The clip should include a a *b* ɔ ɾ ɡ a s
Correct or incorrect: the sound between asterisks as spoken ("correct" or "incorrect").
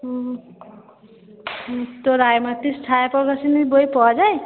incorrect